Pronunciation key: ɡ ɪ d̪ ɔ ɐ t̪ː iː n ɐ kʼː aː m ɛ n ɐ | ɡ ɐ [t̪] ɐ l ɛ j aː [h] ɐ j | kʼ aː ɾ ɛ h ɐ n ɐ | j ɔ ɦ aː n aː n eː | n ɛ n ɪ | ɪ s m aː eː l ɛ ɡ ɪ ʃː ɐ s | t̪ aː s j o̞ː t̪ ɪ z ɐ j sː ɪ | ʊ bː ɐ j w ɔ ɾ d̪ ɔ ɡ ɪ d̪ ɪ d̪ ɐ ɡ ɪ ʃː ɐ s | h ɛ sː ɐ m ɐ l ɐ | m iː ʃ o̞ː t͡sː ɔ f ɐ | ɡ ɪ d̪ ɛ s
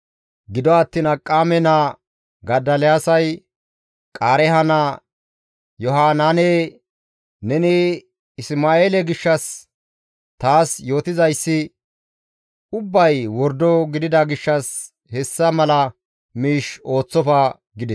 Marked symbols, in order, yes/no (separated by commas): no, no